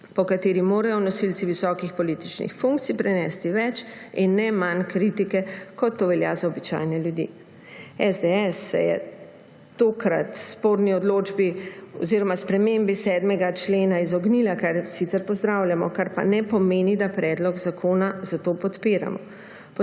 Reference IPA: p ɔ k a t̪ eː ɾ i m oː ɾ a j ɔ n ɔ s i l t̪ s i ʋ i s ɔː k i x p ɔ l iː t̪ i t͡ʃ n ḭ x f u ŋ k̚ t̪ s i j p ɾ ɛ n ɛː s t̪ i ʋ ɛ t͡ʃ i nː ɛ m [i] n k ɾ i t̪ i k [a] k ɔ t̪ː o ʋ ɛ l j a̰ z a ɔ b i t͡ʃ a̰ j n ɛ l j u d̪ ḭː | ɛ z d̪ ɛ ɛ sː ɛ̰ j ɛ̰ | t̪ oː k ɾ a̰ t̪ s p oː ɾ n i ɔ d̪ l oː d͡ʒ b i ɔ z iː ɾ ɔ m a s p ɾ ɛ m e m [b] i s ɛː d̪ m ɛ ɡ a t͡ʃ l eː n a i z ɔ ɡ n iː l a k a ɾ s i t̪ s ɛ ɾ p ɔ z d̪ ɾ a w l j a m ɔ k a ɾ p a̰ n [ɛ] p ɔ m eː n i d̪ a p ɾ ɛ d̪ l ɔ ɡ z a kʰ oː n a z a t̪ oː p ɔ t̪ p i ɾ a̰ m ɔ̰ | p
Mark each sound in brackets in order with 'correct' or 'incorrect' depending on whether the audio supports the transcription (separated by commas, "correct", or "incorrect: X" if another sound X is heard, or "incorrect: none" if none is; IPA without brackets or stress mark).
incorrect: a, incorrect: ɛ, correct, correct